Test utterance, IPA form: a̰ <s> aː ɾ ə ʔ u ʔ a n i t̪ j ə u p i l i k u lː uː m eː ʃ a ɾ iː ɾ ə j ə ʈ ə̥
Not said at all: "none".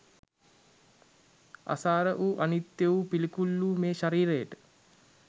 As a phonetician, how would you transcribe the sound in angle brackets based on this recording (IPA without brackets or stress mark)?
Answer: s